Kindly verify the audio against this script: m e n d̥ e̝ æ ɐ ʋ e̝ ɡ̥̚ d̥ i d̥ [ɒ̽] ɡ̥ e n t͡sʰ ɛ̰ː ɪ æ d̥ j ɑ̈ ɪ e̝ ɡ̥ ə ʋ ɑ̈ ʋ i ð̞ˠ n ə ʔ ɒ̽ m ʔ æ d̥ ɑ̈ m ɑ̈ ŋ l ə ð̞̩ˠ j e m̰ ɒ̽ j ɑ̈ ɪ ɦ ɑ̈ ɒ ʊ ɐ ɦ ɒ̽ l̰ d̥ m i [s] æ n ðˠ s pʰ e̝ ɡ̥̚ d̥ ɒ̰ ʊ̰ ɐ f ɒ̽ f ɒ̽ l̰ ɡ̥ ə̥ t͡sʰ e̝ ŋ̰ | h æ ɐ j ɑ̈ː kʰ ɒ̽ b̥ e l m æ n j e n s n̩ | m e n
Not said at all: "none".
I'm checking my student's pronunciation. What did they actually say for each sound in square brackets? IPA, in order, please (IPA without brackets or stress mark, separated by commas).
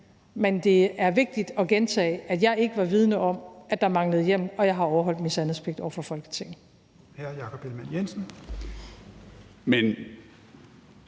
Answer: ɒ̽, s